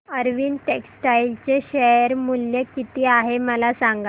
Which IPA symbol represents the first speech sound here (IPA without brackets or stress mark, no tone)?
ə